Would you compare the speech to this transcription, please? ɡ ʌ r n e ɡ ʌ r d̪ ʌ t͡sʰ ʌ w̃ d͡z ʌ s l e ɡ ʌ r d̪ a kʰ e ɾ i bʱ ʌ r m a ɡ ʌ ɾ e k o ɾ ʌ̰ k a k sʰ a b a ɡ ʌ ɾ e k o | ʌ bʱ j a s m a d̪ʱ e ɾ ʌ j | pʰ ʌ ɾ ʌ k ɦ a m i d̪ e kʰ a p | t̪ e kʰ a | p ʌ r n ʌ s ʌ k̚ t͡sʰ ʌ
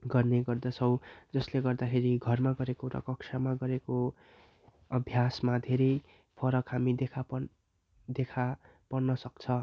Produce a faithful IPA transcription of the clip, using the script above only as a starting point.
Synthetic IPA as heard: ɡ ʌ r n e ɡ ʌ r d̪ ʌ t͡sʰ ʌ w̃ d͡z ʌ s l e ɡ ʌ r d̪ a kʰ e ɾ i ɡʱ ʌ r m a ɡ ʌ ɾ e k o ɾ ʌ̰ k ʌ k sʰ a m a ɡ ʌ ɾ e k o | ʌ bʱ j a s m a d̪ʱ e ɾ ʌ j | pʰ ʌ ɾ ʌ k ɦ a m i d̪ e kʰ a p | d̪ e kʰ a | p ʌ r n ʌ s ʌ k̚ t͡sʰ ʌ

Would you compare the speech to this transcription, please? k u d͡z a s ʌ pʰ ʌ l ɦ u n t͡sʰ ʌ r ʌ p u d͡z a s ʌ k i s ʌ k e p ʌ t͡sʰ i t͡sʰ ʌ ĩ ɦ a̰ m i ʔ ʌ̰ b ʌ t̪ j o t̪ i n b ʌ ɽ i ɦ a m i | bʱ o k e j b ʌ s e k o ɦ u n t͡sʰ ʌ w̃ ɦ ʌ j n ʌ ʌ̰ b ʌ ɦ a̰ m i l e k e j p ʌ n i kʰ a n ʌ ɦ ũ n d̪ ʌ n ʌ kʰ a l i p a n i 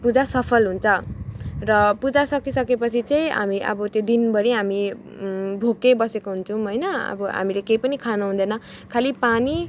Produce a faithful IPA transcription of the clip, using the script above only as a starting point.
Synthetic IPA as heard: p u d͡z a s ʌ pʰ ʌ l ɦ u n t͡sʰ ʌ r ʌ p u d͡z a s ʌ k i s ʌ k e p ʌ t͡sʰ i t͡s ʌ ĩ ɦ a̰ m i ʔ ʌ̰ b ʌ t̪ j o d̪ i n b ʌ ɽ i ɦ a m i | bʱ o k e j b ʌ s e k o ɦ u n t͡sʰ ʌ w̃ ɦ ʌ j n ʌ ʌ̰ b ʌ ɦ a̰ m i l e k e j p ʌ n i kʰ a n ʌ ɦ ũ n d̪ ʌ n ʌ kʰ a l i p a n i

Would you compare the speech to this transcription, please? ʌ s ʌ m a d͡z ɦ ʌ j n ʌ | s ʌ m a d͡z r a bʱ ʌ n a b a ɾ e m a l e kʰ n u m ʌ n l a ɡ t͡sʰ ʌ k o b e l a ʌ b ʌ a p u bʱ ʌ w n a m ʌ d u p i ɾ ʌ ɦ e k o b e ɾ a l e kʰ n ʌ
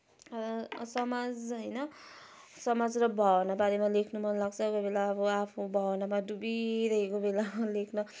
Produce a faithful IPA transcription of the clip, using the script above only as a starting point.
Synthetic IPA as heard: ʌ s ʌ m a d͡z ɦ ʌ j n ʌ | s ʌ m a d͡z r ʌ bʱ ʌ n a b a ɾ e m a l e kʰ n u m ʌ n l a ɡ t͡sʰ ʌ k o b e l a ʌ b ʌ a pʰ u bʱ ʌ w n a m a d u b i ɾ ʌ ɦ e k o b e l a l e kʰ n ʌ

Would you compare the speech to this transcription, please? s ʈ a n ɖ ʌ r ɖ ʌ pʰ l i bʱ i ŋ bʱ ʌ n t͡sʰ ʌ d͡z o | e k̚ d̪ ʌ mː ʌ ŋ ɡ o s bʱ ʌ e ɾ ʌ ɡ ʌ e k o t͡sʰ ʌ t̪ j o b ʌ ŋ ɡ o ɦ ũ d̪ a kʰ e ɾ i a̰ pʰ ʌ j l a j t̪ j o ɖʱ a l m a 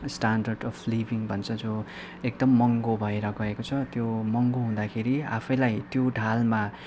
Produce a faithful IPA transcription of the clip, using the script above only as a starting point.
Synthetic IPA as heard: s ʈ a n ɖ ʌ r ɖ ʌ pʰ l i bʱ i ŋ bʱ ʌ n t͡sʰ ʌ d͡z o | e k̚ d̪ ʌ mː ʌ ŋ ɡ o bʱ ʌ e ɾ ʌ ɡ ʌ e k o t͡sʰ ʌ t̪ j o m ʌ ŋ ɡ o ɦ ũ d̪ a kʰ e ɾ i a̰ pʰ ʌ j l a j t̪ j o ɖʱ a l m a

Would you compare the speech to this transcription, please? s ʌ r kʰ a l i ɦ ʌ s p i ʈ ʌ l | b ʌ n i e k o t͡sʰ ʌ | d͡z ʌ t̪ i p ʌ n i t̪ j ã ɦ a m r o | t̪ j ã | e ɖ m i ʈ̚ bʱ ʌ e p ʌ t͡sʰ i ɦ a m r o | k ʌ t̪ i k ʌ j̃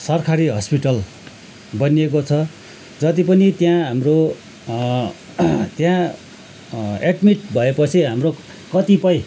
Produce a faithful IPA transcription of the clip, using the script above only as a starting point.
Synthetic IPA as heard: s ʌ r kʰ a ɾ i ɦ ʌ s p i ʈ ʌ l | b ʌ n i e k o t͡sʰ ʌ | d͡z ʌ t̪ i p ʌ n i t̪ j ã ɦ a m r o | t̪ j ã | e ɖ m i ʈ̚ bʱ ʌ e p ʌ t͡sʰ i ɦ a m r o | k ʌ t̪ i p ʌ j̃

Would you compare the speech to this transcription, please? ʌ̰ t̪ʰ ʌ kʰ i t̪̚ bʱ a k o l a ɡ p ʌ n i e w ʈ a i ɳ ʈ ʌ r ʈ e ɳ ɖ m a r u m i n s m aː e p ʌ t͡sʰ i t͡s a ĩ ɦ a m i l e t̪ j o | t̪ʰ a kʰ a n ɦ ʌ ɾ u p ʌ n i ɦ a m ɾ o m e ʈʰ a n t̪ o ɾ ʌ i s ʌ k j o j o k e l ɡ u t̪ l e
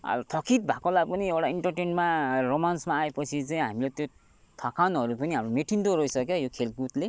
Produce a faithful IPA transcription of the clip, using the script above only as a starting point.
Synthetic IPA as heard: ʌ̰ t̪ʰ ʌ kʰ i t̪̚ bʱ a k o l a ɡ p ʌ n i e w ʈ a i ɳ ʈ ʌ r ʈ e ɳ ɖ m a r o m a n s m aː e p ʌ t͡sʰ i t͡s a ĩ ɦ a m i l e t̪ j o | t̪ʰ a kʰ a n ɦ ʌ ɾ u p ʌ n i ɦ a m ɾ o m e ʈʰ i n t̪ o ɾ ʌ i s ʌ k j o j o kʰ e l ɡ u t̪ l e

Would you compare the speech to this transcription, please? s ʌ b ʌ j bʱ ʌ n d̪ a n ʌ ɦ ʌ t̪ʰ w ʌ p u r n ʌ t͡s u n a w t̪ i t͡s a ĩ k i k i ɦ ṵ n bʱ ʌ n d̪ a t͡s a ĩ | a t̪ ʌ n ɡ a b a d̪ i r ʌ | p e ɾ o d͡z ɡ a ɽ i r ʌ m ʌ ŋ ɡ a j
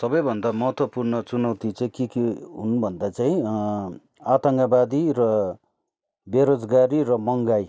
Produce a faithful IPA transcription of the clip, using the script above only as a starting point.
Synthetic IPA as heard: s ʌ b ʌ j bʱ ʌ n d̪ a m ʌ ɦ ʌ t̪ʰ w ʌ p u r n ʌ t͡s u n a w t̪ i t͡s a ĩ k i k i ɦ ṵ n bʱ ʌ n d̪ a t͡s a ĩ | a t̪ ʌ ŋ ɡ a b a d̪ i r ʌ | b e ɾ o d͡z ɡ a ɾ i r ʌ m ʌ ŋ ɡ a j

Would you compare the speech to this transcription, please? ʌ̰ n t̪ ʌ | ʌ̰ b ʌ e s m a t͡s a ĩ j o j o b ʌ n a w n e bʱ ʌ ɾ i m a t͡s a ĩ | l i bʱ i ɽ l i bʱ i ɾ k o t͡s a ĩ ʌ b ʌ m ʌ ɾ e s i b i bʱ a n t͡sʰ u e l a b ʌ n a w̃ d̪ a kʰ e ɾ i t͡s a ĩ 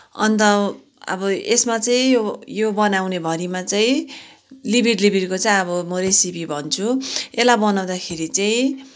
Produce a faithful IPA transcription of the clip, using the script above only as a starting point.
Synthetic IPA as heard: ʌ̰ n t̪ ʌ | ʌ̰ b ʌ e s m a t͡s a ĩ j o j o b ʌ n a w n e bʱ ʌ ɾ i m a t͡s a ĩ | l i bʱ i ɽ l i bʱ i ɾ k o t͡s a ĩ ʌ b ʌ m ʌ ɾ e s i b i bʱ ʌ n t͡sʰ u e l a b ʌ n a w̃ d̪ a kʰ e ɾ i t͡s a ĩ

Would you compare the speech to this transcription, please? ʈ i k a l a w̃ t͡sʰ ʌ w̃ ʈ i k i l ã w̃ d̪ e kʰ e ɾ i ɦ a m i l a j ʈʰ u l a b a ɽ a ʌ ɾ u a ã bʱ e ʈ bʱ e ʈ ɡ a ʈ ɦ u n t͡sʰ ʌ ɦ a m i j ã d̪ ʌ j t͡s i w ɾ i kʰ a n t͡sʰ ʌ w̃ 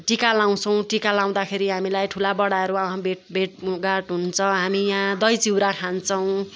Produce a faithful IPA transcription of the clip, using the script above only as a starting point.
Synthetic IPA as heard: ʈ i k a l a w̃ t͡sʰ ʌ w̃ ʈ i k a l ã w̃ d̪ a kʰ e ɾ i ɦ a m i l a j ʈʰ u l a b ʌ ɽ a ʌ ɾ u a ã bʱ e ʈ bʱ e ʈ ɡ a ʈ ɦ u n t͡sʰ ʌ ɦ a m i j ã d̪ ʌ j t͡s i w ɾ a kʰ a n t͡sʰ ʌ w̃

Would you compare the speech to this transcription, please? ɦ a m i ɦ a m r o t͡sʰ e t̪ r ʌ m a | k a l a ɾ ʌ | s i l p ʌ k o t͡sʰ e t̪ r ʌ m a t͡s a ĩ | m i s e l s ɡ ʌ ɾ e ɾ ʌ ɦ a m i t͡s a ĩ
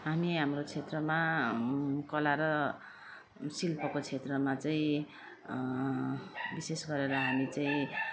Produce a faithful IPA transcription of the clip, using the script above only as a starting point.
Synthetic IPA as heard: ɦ a m i ɦ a m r o t͡sʰ e t̪ r ʌ m a | k ʌ l a ɾ ʌ | s i l p ʌ k o t͡sʰ e t̪ r ʌ m a t͡s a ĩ | b i s e s ɡ ʌ ɾ e ɾ ʌ ɦ a m i t͡s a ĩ

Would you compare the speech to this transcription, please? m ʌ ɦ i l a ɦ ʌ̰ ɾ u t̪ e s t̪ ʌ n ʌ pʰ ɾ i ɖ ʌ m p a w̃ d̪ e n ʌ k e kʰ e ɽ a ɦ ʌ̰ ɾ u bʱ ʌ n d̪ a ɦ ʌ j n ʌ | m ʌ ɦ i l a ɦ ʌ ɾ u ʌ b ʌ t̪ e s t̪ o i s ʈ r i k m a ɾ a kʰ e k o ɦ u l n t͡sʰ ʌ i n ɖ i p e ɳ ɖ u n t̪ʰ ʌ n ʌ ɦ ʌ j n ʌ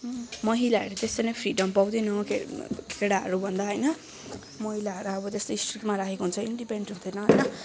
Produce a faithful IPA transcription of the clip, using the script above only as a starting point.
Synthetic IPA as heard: m ʌ ɦ i l a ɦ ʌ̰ ɾ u t̪ e s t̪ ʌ n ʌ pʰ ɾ i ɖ ʌ m p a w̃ d̪ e n ʌ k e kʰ e ɽ a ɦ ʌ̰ ɾ u bʱ ʌ n d̪ a ɦ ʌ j n ʌ | m ʌ ɦ i l a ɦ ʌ ɾ u ʌ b ʌ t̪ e s t̪ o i s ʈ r i k m a ɾ a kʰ e k o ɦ u n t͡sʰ ʌ i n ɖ i p e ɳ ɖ u n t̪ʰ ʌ n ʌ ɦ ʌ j n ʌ

